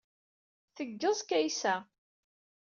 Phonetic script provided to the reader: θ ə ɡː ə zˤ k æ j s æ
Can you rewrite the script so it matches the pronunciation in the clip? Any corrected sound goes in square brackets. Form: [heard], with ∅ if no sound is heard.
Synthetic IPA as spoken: θ ə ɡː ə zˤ k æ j s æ